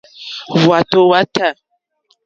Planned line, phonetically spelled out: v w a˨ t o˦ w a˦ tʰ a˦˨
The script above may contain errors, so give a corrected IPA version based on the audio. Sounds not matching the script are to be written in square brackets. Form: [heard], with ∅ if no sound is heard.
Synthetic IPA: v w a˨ t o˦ w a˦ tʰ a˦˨